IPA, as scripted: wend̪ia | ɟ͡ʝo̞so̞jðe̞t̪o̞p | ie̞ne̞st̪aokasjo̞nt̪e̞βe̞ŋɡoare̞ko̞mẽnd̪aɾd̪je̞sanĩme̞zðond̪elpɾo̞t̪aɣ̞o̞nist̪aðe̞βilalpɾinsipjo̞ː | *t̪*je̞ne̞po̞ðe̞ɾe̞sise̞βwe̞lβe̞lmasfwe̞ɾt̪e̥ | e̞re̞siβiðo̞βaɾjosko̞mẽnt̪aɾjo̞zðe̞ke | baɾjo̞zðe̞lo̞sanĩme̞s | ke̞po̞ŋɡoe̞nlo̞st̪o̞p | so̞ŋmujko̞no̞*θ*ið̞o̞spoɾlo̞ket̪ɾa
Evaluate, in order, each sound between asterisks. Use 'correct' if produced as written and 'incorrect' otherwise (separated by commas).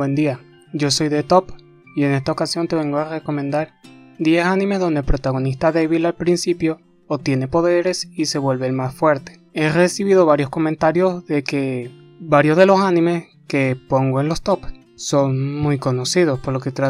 correct, incorrect